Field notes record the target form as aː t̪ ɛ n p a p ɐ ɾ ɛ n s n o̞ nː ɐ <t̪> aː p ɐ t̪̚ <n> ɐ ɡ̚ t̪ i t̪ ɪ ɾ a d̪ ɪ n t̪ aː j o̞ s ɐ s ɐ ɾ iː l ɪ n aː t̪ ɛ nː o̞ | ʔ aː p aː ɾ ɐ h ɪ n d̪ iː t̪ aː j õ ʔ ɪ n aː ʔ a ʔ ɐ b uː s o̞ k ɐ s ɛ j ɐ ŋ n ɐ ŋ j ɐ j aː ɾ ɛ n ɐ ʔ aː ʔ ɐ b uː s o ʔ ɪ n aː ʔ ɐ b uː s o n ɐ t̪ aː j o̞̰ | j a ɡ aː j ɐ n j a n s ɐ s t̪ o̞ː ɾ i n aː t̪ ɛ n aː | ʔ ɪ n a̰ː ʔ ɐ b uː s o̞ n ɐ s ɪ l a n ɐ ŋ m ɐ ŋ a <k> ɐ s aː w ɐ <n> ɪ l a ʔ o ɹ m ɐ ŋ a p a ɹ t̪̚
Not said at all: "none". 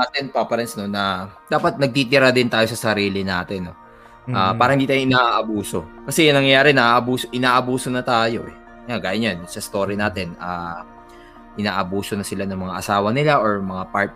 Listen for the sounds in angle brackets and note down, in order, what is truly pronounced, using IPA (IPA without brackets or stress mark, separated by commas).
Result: d̪, n, ʔ, n